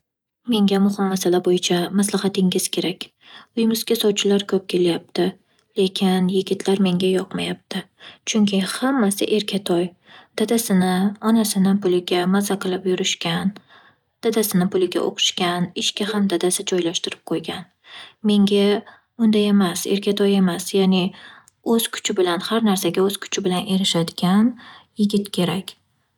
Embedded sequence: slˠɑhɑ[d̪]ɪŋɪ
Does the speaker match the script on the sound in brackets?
no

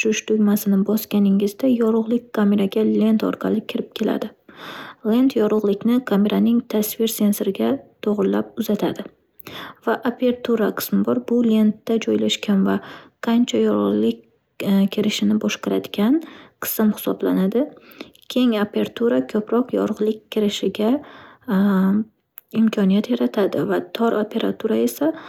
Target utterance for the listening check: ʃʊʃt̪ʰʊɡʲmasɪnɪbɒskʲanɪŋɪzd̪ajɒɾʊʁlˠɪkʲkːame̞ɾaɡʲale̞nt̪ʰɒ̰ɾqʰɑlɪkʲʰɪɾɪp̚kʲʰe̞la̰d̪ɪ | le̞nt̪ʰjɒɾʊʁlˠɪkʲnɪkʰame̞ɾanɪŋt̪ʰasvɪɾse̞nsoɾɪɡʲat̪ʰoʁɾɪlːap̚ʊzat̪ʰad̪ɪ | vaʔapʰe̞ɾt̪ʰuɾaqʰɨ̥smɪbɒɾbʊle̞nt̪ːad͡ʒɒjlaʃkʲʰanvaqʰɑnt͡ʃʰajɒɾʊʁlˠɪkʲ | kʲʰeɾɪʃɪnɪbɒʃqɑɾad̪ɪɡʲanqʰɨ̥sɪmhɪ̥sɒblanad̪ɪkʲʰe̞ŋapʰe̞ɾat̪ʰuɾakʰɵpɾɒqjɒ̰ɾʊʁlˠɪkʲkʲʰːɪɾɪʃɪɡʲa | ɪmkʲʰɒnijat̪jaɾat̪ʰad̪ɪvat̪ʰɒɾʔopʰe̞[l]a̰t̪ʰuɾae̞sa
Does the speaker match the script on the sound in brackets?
no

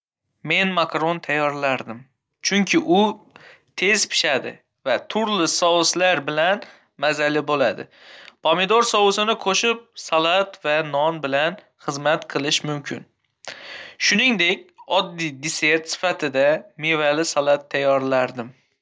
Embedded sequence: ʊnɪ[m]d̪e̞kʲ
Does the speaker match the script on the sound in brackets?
no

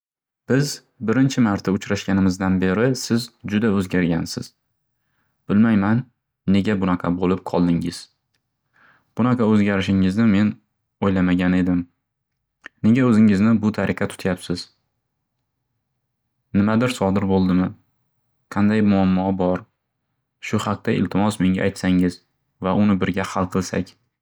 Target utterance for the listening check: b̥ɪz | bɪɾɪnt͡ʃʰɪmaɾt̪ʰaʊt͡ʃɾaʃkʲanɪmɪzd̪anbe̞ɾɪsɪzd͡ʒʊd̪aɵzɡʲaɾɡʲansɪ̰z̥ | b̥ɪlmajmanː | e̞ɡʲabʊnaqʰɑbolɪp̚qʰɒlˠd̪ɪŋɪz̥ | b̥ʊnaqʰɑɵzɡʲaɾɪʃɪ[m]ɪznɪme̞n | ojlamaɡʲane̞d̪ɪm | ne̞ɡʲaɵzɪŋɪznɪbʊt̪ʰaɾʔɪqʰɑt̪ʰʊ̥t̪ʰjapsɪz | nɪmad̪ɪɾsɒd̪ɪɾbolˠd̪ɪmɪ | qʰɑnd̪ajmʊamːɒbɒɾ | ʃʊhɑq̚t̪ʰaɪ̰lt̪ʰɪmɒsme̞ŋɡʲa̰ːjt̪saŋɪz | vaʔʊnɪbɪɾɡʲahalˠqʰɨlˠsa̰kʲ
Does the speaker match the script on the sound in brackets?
no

